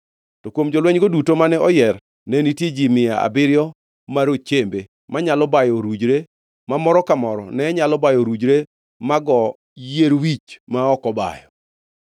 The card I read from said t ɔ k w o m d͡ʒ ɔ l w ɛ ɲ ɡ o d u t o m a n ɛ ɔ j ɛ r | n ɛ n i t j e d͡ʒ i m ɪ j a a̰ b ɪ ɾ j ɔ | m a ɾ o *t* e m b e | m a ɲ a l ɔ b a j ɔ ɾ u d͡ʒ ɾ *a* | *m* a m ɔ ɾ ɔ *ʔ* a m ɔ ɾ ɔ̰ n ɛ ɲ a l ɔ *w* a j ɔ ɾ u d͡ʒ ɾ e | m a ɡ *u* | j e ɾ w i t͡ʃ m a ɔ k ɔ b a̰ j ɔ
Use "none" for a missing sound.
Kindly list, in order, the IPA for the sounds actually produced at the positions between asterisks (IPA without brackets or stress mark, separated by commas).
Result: t͡ʃ, e, m, k, b, ɔ